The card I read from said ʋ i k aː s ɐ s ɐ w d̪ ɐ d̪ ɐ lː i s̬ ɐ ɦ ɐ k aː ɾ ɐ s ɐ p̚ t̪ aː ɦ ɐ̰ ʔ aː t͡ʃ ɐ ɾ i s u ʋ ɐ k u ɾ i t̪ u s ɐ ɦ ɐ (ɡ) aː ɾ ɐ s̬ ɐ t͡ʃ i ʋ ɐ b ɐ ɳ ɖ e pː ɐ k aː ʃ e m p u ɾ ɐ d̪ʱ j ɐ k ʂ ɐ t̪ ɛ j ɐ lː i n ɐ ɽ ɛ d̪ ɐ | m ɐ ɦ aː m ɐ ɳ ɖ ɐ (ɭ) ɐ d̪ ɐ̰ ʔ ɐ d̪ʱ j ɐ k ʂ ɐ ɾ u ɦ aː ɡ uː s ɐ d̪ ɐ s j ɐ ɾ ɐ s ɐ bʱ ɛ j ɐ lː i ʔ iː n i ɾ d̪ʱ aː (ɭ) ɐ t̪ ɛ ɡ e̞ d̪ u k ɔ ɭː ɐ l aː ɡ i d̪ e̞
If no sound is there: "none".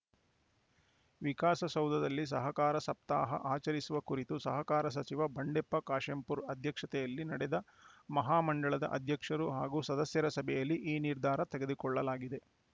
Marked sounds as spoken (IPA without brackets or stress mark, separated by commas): k, ɭ, ɾ